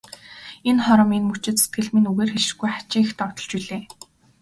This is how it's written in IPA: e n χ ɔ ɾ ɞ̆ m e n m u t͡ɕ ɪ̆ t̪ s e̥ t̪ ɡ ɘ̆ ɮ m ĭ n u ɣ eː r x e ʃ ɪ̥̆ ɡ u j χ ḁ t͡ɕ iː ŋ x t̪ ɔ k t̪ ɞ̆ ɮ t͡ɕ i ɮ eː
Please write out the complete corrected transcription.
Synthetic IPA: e n χ ɔ ɾ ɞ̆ m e n m u t͡ɕ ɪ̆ t̪ s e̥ t̪ ɡ ɘ̆ ɮ m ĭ n u ɣ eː r x e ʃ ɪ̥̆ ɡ u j χ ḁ t͡ɕ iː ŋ x t̪ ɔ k t̪ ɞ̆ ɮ t͡ɕ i ɮ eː